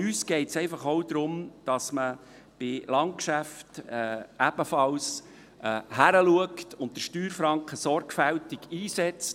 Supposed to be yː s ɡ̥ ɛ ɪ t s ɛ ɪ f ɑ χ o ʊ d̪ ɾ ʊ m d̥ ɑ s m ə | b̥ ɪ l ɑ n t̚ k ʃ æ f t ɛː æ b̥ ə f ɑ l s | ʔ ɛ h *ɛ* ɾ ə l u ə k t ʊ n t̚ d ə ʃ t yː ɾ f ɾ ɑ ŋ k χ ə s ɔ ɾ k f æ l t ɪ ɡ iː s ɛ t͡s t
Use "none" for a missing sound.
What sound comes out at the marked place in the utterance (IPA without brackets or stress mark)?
æ